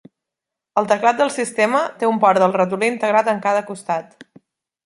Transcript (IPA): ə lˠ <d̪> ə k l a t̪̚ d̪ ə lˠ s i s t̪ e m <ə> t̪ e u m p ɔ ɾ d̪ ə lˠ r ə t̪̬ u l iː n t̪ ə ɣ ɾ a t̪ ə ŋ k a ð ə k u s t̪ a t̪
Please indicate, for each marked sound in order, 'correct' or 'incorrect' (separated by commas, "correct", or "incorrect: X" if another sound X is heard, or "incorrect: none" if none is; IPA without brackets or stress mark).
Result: incorrect: t̪, correct